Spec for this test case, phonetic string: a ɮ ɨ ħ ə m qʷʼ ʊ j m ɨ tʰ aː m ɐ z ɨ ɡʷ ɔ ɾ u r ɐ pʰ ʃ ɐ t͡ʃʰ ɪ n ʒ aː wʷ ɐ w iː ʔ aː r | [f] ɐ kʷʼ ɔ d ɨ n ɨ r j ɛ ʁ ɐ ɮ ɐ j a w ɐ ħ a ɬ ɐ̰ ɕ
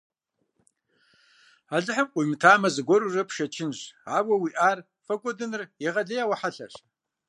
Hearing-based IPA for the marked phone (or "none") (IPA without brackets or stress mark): f